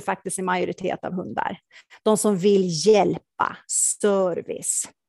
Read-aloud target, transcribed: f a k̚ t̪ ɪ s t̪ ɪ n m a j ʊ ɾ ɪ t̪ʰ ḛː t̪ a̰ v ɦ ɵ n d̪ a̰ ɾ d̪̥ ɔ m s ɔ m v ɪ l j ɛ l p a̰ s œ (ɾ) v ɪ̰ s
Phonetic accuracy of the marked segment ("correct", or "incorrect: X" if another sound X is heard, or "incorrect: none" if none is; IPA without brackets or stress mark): correct